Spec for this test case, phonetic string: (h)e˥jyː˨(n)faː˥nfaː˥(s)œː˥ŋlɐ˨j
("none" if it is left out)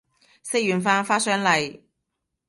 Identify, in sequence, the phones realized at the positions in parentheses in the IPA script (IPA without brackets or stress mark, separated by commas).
s, n, s